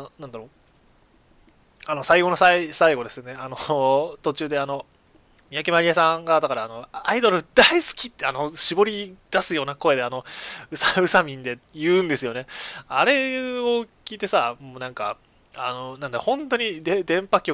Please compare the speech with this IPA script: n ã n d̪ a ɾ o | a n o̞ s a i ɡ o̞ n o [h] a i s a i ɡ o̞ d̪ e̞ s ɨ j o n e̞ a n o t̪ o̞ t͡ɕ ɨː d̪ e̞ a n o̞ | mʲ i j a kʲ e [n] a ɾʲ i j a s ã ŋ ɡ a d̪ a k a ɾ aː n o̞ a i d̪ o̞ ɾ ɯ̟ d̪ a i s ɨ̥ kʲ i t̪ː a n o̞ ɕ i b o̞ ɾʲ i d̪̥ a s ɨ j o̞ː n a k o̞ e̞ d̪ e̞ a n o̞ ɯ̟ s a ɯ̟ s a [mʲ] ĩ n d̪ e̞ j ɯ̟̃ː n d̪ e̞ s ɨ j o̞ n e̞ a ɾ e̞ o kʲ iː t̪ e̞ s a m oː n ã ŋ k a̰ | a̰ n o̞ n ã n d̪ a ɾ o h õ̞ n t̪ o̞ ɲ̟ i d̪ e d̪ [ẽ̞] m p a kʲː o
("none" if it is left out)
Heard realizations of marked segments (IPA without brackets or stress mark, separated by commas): s, m, mʲ, ẽ̞